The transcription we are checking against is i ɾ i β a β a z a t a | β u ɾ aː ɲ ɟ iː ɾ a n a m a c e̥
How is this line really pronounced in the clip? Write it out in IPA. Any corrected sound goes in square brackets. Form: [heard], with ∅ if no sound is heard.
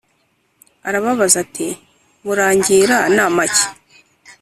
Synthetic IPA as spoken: [a] ɾ [a] β a β a z a t [i] | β u ɾ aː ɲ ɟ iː ɾ a n a m a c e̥

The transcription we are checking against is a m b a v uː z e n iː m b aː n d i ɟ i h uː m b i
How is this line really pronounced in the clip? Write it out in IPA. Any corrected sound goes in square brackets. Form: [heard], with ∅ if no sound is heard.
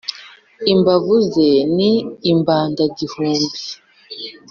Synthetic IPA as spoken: [i] m b a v [u] z e n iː m b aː n d [a] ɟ i h uː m b i

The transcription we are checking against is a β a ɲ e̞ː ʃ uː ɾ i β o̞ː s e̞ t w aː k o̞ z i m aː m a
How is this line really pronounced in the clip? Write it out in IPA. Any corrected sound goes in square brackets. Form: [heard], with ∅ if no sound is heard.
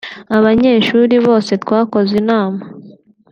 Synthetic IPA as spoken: a β a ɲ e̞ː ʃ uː ɾ i β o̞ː s e̞ t w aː k o̞ z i [n] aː m a

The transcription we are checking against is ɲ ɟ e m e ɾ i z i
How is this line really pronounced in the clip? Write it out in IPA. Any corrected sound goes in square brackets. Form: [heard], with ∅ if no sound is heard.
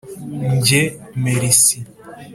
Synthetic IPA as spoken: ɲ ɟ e m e ɾ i [s] i

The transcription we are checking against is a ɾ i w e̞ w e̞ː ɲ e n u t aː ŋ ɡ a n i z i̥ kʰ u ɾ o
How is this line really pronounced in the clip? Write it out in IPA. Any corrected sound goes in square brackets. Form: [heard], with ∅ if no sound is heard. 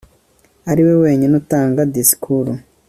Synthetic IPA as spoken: a ɾ i w e̞ w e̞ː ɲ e n u t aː ŋ ɡ a [d] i [s] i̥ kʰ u ɾ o

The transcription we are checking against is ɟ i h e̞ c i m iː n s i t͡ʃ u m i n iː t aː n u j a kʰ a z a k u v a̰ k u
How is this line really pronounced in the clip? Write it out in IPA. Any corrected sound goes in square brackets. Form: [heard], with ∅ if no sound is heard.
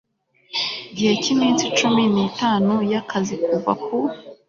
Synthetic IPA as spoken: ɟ i h e̞ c i m iː n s i t͡ʃ u m i n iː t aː n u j a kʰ a z [i] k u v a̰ k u

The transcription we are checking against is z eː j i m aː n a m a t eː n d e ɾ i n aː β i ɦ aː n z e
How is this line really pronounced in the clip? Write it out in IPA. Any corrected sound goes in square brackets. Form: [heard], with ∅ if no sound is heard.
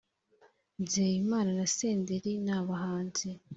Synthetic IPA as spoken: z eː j i m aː n a [n] a [s] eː n d e ɾ i n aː β [a] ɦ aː n z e

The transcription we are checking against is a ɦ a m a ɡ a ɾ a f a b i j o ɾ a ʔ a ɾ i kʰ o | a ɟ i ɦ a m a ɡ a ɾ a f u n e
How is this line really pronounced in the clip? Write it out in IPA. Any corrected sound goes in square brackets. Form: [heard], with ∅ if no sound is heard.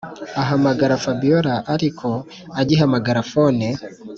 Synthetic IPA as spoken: a ɦ a m a ɡ a ɾ a f a b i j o ɾ a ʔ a ɾ i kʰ o | a ɟ i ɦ a m a ɡ a ɾ a f [o] n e

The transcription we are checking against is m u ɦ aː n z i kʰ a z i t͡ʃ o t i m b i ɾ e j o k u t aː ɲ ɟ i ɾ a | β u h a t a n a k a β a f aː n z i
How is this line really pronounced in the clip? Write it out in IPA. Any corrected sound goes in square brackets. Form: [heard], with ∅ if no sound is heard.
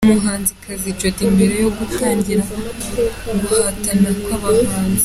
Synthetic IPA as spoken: m u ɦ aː n z i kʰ a z i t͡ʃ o t i m b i ɾ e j o [ɡ] u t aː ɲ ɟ i ɾ a | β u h a t a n a k a β a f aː n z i

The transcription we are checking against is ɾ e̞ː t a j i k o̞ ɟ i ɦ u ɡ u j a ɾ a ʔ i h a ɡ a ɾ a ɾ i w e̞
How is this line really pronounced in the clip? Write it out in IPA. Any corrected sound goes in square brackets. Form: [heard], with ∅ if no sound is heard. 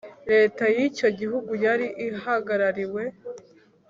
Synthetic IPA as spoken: ɾ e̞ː t a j i [c] o̞ ɟ i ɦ u ɡ u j a ɾ [i] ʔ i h a ɡ a ɾ a ɾ i w e̞

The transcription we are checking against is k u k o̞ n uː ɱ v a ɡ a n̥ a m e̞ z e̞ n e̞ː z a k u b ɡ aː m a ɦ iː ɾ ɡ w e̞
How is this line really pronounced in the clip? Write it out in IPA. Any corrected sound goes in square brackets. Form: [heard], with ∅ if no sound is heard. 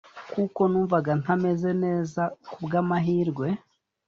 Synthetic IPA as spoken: k u k o̞ n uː ɱ v a ɡ a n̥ a m e̞ z e̞ n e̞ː z a k u b ɡ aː m a ɦ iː ɾ ɡ w e̞

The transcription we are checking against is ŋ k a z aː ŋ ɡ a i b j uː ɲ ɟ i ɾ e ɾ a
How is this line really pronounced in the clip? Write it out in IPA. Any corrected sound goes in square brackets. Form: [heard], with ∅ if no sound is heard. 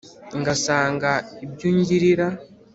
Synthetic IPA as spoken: ŋ [ɡ] a [s] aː ŋ ɡ a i b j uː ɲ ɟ i ɾ [i] ɾ a

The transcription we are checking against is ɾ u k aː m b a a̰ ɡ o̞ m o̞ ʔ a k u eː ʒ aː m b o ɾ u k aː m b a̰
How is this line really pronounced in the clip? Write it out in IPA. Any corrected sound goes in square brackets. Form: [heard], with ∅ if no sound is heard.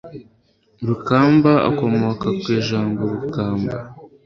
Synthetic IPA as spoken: ɾ u k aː m b a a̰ [k] o̞ m o̞ [k] a k [w] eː ʒ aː m b o ɾ u k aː m b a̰

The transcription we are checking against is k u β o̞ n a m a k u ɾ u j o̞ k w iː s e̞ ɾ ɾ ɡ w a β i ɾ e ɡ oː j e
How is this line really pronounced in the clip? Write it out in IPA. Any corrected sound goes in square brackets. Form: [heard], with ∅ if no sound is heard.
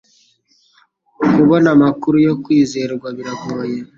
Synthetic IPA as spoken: k u β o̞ n a m a k u ɾ u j o̞ k w iː [z] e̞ ɾ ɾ ɡ w a β i ɾ [a] ɡ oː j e

